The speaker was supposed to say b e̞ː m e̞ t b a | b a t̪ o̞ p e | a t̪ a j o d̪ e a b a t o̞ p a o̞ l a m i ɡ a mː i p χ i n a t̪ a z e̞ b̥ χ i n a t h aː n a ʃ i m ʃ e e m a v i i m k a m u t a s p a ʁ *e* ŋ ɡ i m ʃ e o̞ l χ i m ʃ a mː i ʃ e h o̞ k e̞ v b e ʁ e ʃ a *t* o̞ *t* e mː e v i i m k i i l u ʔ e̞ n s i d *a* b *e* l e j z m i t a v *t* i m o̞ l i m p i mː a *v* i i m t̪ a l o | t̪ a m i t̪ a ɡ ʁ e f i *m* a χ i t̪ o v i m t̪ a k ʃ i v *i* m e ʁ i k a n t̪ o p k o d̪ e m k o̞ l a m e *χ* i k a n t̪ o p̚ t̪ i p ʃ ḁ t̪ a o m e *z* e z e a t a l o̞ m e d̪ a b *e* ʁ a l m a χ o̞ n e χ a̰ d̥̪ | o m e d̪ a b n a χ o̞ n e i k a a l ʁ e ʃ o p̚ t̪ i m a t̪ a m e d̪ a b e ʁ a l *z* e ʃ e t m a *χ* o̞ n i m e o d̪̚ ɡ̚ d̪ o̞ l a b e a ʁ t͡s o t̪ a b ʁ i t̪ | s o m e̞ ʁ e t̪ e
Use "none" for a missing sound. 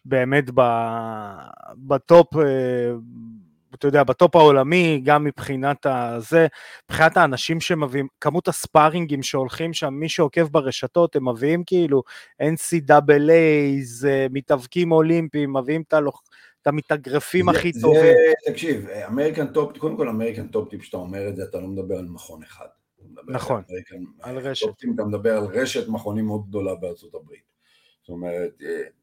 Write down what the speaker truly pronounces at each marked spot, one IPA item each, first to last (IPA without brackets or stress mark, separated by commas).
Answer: i, t, t, a, e, k, v, m, a, ʁ, ʁ, e, ʁ, χ